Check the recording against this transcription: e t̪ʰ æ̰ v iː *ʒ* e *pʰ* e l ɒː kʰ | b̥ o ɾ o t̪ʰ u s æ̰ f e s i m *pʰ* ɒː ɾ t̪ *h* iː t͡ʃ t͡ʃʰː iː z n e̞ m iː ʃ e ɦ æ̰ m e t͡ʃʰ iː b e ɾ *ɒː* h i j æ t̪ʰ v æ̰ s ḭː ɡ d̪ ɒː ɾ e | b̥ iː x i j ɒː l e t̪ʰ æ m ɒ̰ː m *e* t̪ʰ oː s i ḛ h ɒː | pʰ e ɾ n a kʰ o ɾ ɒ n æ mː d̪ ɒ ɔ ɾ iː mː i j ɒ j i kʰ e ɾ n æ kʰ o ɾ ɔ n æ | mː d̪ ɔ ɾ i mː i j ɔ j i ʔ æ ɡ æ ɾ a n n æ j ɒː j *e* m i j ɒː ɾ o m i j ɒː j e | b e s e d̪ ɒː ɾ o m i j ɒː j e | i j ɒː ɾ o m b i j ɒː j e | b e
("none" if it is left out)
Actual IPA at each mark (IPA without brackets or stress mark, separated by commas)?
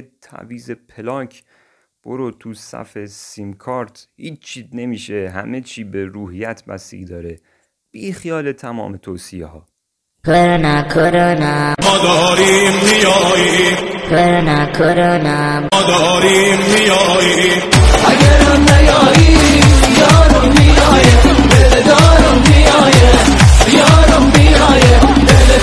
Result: z, pʰ, kʰ, h, uː, e, i